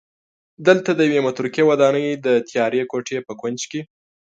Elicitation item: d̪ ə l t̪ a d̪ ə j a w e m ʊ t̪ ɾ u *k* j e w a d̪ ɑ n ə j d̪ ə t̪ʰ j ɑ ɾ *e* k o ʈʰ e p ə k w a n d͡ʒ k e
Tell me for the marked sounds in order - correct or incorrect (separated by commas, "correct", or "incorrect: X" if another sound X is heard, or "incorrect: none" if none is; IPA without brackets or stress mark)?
correct, correct